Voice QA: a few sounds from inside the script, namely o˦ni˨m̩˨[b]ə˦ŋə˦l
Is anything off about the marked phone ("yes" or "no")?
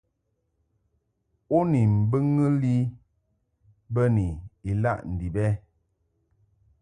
no